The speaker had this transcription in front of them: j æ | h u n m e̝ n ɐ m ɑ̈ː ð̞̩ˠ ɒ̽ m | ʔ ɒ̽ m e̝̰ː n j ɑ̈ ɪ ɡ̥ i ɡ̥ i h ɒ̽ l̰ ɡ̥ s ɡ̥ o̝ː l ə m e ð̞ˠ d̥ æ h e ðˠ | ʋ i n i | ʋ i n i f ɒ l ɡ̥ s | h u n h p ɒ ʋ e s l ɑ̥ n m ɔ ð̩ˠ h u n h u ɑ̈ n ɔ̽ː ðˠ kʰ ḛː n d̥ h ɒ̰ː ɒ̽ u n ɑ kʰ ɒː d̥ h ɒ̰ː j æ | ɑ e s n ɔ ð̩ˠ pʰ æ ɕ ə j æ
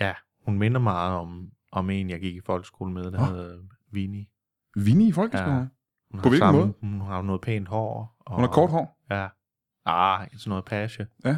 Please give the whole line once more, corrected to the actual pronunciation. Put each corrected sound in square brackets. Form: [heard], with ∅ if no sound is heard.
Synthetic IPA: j æ | h u n m e̝ n ɐ m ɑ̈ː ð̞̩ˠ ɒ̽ m | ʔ ɒ̽ m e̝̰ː n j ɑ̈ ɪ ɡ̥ i ɡ̥ i [f] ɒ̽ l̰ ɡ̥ s ɡ̥ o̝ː l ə m e ð̞ˠ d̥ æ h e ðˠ | ʋ i n i | ʋ i n i f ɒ l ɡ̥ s | h u n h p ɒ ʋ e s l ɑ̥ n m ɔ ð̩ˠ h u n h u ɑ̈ n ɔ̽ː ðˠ [pʰ] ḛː n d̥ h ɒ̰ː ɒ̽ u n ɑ kʰ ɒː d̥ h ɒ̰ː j æ | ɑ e s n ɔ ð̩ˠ pʰ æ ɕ ə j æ